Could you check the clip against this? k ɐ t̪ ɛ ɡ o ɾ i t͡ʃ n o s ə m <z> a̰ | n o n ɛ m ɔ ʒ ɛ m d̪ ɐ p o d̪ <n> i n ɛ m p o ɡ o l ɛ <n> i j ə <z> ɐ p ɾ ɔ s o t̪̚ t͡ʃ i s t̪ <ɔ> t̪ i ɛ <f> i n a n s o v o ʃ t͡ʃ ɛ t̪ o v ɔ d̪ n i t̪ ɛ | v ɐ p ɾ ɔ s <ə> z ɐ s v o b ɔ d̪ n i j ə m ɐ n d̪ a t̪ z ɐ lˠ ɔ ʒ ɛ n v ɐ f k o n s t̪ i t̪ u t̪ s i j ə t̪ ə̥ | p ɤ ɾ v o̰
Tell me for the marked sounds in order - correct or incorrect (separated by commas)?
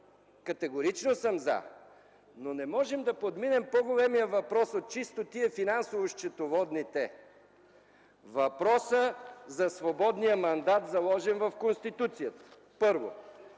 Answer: correct, incorrect, incorrect, incorrect, incorrect, correct, correct